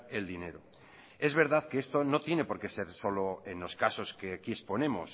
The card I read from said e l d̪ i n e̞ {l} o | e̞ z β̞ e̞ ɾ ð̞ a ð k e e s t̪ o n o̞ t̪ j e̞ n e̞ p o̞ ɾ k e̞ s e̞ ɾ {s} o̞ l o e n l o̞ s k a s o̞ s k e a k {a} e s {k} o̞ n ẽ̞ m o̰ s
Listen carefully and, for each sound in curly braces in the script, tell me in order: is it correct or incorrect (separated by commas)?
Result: incorrect, correct, incorrect, incorrect